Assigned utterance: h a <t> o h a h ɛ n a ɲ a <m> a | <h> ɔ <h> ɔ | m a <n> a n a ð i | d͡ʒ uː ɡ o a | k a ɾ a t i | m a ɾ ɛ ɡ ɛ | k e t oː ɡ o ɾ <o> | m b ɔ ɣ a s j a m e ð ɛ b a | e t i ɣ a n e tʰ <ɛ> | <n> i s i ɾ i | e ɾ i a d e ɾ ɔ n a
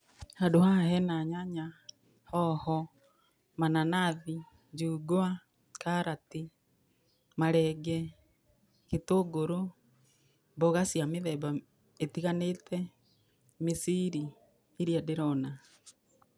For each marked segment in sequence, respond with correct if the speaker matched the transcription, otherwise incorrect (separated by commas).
incorrect, incorrect, correct, correct, correct, correct, correct, incorrect